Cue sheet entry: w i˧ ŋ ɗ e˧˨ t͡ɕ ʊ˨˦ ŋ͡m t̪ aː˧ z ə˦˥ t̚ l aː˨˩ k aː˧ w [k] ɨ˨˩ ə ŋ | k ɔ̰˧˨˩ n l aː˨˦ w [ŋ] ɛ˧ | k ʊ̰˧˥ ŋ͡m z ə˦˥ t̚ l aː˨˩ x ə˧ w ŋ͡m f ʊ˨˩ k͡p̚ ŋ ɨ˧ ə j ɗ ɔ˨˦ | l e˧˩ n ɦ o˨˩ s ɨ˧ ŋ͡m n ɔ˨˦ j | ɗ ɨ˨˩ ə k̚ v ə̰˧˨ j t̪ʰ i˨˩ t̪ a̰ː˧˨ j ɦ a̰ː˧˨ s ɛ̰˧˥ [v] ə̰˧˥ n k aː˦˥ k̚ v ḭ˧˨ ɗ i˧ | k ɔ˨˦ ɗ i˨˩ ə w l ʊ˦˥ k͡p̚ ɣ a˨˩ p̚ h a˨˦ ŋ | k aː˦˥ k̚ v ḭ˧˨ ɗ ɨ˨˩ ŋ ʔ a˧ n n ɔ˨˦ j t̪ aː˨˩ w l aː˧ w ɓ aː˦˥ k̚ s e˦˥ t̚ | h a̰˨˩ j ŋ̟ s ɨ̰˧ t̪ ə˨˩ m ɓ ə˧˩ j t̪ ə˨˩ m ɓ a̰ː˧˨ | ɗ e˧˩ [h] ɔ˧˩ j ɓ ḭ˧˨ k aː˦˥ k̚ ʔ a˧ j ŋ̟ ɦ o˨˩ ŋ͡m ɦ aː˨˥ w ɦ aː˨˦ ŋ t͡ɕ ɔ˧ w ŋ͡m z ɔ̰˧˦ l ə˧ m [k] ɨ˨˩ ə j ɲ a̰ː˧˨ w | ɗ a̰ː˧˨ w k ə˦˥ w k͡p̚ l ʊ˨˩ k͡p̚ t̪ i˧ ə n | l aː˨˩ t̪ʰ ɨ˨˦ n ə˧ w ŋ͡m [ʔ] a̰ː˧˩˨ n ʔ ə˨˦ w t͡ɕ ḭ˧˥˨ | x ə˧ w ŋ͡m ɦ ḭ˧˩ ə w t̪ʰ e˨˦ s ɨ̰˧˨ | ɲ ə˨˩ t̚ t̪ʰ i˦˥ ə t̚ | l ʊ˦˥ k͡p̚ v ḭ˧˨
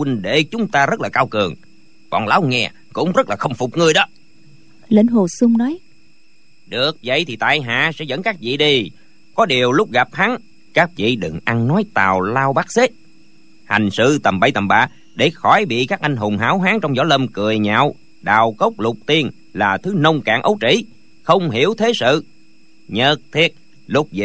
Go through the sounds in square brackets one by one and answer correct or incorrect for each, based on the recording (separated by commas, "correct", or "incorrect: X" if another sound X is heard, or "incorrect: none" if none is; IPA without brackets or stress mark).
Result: correct, correct, incorrect: z, incorrect: x, correct, incorrect: k